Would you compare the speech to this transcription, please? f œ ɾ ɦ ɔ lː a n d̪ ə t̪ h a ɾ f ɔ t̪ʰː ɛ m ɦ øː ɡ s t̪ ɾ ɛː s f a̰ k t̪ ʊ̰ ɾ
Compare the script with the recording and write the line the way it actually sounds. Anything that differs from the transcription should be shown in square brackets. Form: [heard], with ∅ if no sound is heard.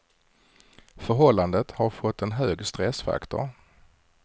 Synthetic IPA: f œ ɾ ɦ ɔ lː a n d̪ ə t̪ h a ɾ f ɔ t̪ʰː ɛ [n] ɦ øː ɡ s t̪ ɾ [ɛ] s f a̰ k t̪ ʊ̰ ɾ